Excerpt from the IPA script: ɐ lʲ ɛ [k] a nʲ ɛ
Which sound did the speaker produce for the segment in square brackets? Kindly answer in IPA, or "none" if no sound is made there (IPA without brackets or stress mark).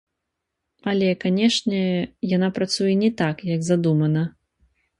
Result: k